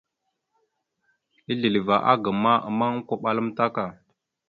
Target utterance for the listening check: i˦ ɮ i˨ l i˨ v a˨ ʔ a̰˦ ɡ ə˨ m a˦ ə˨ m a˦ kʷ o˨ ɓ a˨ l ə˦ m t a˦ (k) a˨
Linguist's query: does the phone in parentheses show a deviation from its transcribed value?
no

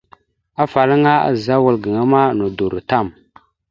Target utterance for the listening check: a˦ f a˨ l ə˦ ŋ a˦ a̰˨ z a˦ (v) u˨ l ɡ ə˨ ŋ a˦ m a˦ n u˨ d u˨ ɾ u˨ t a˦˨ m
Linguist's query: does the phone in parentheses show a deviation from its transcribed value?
yes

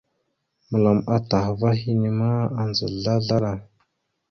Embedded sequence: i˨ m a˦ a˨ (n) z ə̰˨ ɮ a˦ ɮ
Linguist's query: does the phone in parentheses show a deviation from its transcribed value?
no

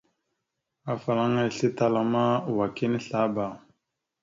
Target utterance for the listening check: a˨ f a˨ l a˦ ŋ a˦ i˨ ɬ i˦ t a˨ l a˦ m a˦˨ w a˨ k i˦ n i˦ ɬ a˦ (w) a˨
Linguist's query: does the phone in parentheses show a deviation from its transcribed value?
yes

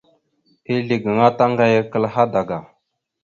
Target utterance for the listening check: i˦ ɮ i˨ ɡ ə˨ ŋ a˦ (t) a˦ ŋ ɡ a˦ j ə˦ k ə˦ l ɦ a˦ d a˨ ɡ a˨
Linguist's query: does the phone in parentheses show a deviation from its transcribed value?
no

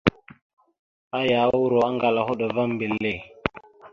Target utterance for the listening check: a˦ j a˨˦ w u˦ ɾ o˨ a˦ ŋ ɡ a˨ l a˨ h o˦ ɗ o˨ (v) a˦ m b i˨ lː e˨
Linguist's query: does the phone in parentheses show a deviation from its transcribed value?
no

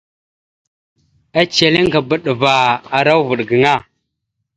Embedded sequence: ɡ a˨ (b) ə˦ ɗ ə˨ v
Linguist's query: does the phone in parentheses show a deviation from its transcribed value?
no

